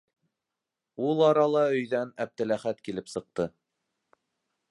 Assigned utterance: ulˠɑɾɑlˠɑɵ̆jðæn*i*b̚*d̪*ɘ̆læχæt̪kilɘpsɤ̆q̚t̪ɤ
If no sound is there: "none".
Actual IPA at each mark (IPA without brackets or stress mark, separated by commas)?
æ, t̪